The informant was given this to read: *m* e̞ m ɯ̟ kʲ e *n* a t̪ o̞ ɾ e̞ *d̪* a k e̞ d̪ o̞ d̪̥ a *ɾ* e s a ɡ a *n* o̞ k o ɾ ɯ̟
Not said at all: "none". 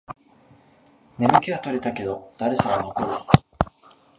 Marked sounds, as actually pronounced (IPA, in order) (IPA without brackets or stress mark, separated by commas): n, none, t̪, ɾ, n